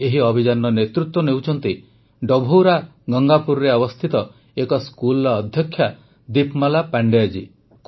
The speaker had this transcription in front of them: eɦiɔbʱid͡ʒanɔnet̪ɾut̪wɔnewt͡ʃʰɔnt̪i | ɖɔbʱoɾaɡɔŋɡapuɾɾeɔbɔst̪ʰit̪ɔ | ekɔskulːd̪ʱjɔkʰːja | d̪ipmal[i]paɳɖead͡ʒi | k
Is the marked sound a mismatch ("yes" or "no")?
yes